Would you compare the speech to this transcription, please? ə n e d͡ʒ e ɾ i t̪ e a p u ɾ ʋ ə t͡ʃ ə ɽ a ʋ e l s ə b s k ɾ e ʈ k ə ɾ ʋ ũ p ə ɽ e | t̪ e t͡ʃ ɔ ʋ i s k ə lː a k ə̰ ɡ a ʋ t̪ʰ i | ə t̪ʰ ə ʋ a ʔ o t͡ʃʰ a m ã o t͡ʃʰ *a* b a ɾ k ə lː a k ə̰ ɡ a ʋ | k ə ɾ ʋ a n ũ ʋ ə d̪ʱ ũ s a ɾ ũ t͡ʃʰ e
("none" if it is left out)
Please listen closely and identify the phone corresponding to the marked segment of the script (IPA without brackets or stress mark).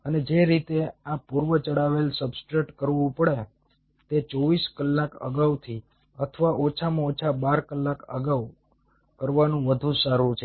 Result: a